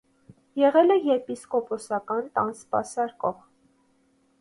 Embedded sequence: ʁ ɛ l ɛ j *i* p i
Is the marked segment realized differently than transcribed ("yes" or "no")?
yes